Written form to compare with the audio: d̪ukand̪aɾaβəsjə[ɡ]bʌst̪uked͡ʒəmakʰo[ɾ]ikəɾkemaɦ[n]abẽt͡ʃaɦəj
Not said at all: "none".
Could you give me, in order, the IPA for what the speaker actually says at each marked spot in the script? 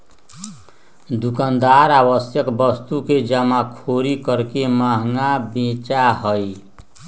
k, ɾ, ŋ

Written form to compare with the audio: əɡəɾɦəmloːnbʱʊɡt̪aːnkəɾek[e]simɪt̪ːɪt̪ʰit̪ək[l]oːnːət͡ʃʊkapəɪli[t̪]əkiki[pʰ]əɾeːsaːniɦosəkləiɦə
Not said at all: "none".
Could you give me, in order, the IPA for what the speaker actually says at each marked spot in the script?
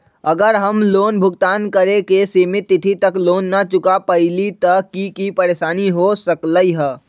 e, l, t̪, p

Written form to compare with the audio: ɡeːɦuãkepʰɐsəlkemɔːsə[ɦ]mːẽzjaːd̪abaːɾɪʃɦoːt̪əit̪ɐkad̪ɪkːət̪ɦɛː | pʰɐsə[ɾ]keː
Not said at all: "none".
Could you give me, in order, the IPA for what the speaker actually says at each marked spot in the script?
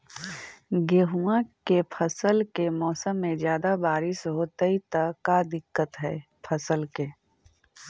none, l

